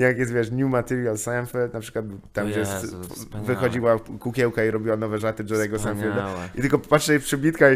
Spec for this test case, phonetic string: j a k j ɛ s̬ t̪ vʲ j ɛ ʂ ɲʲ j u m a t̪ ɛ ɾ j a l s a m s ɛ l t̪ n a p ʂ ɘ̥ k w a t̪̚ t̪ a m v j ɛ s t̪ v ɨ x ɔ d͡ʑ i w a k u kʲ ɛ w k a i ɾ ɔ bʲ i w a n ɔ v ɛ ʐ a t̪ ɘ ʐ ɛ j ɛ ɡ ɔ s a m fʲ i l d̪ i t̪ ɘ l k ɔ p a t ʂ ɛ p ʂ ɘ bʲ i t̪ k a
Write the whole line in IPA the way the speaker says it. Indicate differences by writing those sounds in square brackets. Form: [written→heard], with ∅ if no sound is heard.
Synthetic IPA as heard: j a k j ɛ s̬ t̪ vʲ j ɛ ʂ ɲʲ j u m a t̪ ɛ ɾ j a l s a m [s→f] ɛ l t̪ n a p ʂ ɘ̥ k w a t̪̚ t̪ a m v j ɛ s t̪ v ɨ x ɔ d͡ʑ i w a k u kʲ ɛ w k a i ɾ ɔ bʲ i w a n ɔ v ɛ ʐ a t̪ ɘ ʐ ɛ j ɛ ɡ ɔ s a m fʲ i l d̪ i t̪ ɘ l k ɔ p a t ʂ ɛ p ʂ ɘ bʲ i t̪ k a